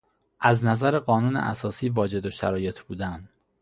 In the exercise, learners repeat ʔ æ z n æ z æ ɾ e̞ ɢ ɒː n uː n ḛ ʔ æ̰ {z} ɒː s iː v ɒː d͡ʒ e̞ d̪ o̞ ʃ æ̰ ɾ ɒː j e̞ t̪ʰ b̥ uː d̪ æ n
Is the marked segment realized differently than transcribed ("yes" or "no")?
yes